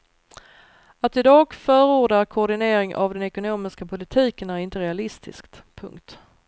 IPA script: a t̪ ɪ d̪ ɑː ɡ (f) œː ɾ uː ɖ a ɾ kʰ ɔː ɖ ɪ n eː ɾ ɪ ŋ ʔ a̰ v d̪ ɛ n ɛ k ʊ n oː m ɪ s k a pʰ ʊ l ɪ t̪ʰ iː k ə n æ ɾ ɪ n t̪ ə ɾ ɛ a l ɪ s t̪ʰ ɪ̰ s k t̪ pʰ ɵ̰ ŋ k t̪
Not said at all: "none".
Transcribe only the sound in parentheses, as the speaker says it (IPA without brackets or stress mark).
f